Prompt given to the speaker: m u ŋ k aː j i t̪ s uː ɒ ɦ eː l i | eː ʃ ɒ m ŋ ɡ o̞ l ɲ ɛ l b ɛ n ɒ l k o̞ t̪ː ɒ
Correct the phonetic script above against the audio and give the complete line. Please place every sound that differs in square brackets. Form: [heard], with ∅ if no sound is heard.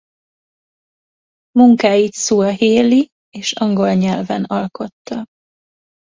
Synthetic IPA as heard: m u ŋ k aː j i t̪ s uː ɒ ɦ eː l i | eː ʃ ɒ [∅] ŋ ɡ o̞ l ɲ ɛ l [v] ɛ n ɒ l k o̞ t̪ː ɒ